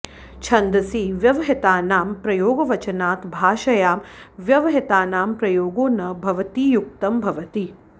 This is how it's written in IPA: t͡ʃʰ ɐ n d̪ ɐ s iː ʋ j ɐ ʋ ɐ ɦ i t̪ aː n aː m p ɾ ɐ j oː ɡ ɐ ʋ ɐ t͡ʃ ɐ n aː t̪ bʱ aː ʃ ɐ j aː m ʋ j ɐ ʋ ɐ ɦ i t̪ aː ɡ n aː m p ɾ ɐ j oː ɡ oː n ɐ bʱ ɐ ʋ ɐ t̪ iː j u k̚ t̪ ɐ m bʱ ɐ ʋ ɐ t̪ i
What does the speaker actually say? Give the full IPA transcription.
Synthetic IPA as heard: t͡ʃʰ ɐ n d̪ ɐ s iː ʋ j ɐ ʋ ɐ ɦ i t̪ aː n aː m p ɾ ɐ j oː ɡ ɐ ʋ ɐ t͡ʃ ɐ n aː t̪ bʱ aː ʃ ɐ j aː m ʋ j ɐ ʋ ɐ ɦ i t̪ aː n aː m p ɾ ɐ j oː ɡ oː n ɐ bʱ ɐ ʋ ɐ t̪ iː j u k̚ t̪ ɐ m bʱ ɐ ʋ ɐ t̪ i